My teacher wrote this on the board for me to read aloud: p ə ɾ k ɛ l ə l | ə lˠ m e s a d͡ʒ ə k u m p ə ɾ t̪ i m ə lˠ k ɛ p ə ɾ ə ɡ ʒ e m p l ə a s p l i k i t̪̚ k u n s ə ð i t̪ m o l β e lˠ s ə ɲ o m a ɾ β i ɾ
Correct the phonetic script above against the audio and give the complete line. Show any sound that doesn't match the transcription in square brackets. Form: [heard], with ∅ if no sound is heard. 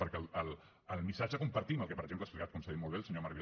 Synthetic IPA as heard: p ə ɾ k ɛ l ə l | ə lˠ m [i] s a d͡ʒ ə k u m p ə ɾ t̪ i m ə lˠ k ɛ p ə ɾ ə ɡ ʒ e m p l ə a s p l i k [a] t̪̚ k u n s ə ð i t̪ m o l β e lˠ s ə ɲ o m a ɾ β i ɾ